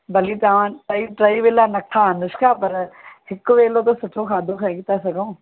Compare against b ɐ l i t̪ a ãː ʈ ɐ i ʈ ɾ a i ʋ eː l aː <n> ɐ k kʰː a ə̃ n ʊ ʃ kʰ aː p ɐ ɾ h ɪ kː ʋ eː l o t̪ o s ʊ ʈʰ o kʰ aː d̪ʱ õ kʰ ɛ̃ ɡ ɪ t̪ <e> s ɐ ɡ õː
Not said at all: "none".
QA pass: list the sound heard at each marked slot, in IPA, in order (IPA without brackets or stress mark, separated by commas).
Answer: n, a